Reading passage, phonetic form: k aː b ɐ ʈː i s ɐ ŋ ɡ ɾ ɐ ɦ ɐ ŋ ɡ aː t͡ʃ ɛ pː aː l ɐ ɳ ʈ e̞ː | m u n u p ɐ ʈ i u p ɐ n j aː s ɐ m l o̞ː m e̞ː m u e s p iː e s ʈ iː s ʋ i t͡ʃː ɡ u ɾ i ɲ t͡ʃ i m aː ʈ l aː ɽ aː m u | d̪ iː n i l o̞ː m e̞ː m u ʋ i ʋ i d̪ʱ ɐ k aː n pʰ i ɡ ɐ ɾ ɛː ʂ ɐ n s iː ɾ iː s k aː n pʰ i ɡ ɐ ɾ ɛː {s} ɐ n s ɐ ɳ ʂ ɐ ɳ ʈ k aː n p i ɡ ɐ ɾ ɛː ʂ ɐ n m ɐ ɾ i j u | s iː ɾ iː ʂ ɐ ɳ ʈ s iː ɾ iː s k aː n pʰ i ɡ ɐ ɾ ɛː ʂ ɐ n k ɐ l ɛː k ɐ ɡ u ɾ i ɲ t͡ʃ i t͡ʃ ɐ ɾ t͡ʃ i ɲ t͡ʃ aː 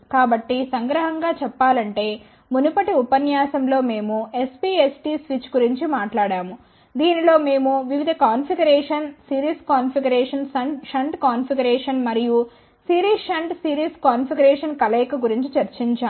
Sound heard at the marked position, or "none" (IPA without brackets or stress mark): ʂ